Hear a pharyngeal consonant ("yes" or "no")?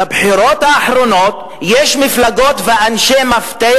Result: yes